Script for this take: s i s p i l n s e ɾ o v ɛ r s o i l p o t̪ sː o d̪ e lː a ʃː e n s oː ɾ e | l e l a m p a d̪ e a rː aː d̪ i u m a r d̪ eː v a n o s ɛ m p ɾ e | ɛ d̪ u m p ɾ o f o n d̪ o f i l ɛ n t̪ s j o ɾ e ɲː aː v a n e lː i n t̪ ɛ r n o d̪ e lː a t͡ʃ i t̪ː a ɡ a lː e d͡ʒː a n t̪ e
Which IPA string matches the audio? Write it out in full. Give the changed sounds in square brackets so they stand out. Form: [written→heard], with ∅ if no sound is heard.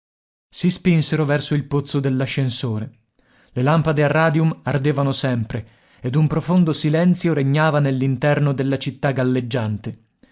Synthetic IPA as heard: s i s p i [l→∅] n s e ɾ o v ɛ r s o i l p o t̪ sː o d̪ e lː a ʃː e n s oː ɾ e | l e l a m p a d̪ e a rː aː d̪ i u m a r d̪ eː v a n o s ɛ m p ɾ e | [ɛ→e] d̪ u m p ɾ o f o n d̪ o [f→s] i l ɛ n t̪ s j o ɾ e ɲː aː v a n e lː i n t̪ ɛ r n o d̪ e lː a t͡ʃ i t̪ː a ɡ a lː e d͡ʒː a n t̪ e

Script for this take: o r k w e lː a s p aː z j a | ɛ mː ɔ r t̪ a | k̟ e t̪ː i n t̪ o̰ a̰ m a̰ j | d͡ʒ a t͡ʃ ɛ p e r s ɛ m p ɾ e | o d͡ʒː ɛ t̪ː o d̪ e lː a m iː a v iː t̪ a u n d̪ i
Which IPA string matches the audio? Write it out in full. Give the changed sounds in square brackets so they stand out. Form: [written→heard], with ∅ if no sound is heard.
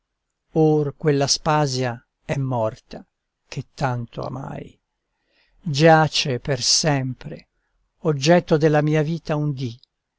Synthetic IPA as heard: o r k w e lː a s p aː z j a | ɛ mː ɔ r t̪ a | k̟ e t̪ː [i→a] n t̪ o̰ a̰ m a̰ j | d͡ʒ a t͡ʃ [ɛ→e] p e r s ɛ m p ɾ e | o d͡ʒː ɛ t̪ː o d̪ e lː a m iː a v iː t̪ a u n d̪ i

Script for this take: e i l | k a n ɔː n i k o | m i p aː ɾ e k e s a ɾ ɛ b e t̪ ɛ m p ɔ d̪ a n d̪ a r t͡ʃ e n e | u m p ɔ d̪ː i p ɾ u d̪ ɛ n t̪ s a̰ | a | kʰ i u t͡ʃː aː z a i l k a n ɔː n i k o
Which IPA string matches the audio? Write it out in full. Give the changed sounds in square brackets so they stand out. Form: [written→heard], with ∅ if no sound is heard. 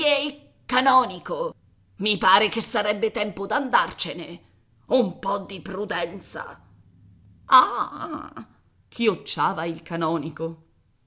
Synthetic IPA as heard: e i l | k a n ɔː n i k o | m i p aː ɾ e k e s a ɾ ɛ [b→bː] e t̪ ɛ m p [ɔ→o] d̪ a n d̪ a r t͡ʃ e n e | u m p ɔ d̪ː i p ɾ u d̪ ɛ n t̪ s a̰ | a | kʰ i [u→o] t͡ʃː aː [z→v] a i l k a n ɔː n i k o

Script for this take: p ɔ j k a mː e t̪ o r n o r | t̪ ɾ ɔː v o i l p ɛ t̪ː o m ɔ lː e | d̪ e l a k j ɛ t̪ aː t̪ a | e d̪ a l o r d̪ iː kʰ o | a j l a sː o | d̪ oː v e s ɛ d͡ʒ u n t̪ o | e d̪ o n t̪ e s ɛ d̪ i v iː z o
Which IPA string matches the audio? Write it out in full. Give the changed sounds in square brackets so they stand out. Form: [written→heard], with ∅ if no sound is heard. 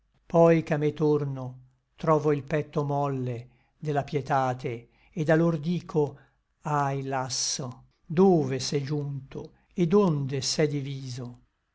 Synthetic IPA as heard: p ɔ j k a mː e t̪ o r n o [r→∅] | t̪ ɾ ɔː v o i l p ɛ t̪ː o m ɔ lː e | d̪ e l a [k→p] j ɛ t̪ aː t̪ [a→e] | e d̪ a l o r d̪ iː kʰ o | a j l a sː o | d̪ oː v e s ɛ d͡ʒ u n t̪ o | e d̪ o n [t̪→d̪] e s ɛ d̪ i v iː z o

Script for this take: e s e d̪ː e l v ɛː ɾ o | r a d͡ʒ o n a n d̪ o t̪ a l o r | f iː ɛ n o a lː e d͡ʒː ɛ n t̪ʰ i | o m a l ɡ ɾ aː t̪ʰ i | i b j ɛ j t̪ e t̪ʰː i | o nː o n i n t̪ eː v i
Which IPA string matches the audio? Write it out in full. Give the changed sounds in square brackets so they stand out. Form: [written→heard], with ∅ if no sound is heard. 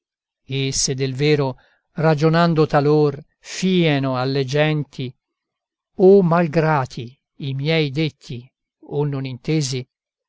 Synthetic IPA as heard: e s e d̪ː e l v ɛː ɾ o | r a d͡ʒ o n a n d̪ o t̪ a l o r | f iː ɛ n o a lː e [d͡ʒː→d͡ʒ] ɛ n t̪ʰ i | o m a l ɡ ɾ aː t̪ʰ i | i [b→m] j ɛ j [t̪→d̪] e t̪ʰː i | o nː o n i n t̪ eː [v→z] i

